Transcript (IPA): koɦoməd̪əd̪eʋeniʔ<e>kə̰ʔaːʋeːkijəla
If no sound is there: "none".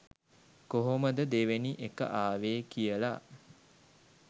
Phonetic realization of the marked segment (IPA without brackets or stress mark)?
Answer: e